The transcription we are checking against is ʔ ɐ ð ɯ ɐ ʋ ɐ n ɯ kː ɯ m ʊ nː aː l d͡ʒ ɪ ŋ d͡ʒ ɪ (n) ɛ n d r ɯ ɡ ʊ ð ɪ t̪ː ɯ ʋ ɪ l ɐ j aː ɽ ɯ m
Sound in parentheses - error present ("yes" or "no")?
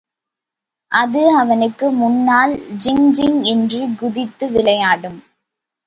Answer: yes